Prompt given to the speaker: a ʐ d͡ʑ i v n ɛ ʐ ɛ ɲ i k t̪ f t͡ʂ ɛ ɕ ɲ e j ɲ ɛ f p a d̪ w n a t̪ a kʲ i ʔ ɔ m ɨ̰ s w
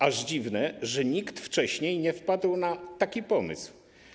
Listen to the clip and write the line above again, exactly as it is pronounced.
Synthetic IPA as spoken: a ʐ d͡ʑ i v n ɛ ʐ ɛ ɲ i k t̪ f t͡ʂ ɛ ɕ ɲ e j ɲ ɛ f p a d̪ w n a t̪ a kʲ i p ɔ m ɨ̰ s w